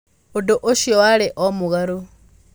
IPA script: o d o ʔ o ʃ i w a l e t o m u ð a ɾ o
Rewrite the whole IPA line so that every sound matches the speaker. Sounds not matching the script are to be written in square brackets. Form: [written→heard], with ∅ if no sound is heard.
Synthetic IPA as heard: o d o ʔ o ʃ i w a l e [t→ʔ] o m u [ð→ɣ] a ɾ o

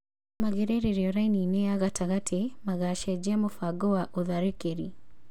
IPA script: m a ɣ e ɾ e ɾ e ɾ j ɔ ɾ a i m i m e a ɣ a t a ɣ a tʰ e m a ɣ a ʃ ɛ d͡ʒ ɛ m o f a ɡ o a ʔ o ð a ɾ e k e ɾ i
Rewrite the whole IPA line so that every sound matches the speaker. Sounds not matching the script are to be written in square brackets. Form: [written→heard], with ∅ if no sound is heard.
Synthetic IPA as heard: m a ɣ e ɾ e ɾ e ɾ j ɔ ɾ a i [m→n] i [m→n] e a ɣ a t a ɣ a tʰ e m a ɣ a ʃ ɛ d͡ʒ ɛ m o f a ɡ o a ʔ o ð a ɾ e k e ɾ i

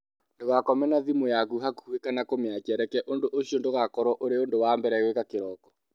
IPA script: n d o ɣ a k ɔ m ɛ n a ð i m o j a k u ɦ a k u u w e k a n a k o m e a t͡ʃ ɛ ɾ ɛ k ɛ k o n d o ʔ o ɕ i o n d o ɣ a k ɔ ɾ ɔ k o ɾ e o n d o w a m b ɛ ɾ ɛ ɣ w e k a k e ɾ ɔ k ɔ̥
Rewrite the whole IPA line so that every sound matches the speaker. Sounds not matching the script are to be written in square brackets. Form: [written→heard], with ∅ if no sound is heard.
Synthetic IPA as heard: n d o ɣ a k ɔ m ɛ n a ð i m o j a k u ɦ a k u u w e k a n a k o m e a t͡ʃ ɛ ɾ ɛ k ɛ [k→ʔ] o n d o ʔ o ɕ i o n d o ɣ a k ɔ ɾ ɔ [k→ʔ] o ɾ e o n d o w a m b ɛ ɾ ɛ ɣ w e k a k e ɾ ɔ k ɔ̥

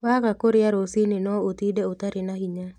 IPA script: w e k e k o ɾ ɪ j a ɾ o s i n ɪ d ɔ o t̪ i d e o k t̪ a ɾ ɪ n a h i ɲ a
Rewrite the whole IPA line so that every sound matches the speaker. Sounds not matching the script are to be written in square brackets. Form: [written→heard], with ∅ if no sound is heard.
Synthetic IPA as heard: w [e→a] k [e→a] k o ɾ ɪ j a ɾ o s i n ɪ [d→n] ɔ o t̪ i d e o [k→∅] t̪ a ɾ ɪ n a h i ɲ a

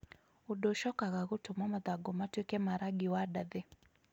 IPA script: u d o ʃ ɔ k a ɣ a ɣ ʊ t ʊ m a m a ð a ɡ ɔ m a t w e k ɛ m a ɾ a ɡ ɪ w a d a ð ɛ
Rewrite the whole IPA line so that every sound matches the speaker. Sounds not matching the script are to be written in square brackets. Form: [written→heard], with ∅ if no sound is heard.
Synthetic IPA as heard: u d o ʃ ɔ k a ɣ a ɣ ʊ t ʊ m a m a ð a ɡ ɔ m a t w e k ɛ m a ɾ a ɡ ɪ w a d a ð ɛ

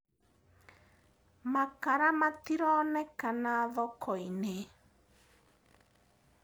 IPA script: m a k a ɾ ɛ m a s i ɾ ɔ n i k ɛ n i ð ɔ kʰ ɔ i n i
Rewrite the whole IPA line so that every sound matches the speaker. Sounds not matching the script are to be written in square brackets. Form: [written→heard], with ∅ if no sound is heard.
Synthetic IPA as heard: m a k a ɾ [ɛ→a] m a [s→t] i ɾ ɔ n [i→ɛ] k [ɛ→a] n [i→a] ð ɔ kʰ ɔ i n [i→e]

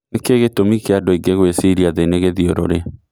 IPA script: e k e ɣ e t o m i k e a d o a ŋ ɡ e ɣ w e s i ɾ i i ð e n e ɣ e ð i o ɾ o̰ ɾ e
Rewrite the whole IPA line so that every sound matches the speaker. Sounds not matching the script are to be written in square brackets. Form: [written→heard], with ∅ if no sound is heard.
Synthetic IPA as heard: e k e ɣ e t o m i k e a d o [a→i] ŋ ɡ e ɣ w e s i ɾ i [i→a] ð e n e ɣ e ð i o ɾ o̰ ɾ e

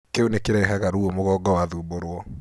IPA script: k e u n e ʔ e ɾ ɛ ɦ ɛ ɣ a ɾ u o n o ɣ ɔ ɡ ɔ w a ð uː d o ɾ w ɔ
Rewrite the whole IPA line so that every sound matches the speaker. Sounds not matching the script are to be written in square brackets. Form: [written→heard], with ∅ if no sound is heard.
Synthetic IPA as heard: k e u n e [ʔ→k] e ɾ ɛ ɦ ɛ ɣ a ɾ u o [n→m] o ɣ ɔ ɡ ɔ w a ð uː [d→b] o ɾ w ɔ

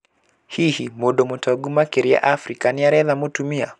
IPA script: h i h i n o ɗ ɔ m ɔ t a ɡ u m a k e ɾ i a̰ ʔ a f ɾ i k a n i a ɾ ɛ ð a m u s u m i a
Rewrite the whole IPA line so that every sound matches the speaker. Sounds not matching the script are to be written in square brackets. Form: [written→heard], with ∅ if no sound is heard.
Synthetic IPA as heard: h i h i [n→m] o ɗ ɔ m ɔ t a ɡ u m a k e ɾ i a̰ ʔ a f ɾ i k a n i a ɾ ɛ ð a m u [s→t] u m i a

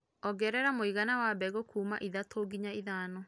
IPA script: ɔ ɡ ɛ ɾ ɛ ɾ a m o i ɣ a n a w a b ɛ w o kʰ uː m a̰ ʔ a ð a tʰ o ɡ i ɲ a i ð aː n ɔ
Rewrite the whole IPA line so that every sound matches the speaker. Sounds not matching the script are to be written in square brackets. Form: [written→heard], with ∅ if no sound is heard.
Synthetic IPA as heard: ɔ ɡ ɛ ɾ ɛ ɾ a m o i ɣ a n a w a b ɛ [w→ɣ] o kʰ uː m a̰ ʔ [a→i] ð a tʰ o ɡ i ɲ a i ð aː n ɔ

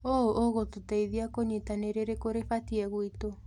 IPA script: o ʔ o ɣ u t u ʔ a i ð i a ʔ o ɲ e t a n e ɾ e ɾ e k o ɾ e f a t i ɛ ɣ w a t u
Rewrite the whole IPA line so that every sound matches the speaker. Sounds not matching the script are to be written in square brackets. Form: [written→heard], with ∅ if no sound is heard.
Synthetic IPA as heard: o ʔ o ɣ [u→o] t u [ʔ→t] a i ð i a [ʔ→k] o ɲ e t a n e ɾ e ɾ e k o ɾ e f a t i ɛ ɣ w [a→i] t [u→o]

